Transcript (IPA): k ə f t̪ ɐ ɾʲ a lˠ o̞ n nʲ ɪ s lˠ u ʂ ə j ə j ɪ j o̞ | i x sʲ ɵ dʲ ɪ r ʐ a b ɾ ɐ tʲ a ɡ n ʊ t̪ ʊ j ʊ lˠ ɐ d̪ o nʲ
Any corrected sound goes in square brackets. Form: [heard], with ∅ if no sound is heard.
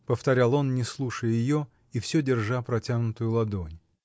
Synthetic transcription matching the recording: [p] ə f t̪ ɐ ɾʲ a lˠ o̞ n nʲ ɪ s lˠ u ʂ ə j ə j ɪ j o̞ | i [f] sʲ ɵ dʲ ɪ r ʐ a [p] ɾ ɐ tʲ a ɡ n ʊ t̪ ʊ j ʊ lˠ ɐ d̪ o nʲ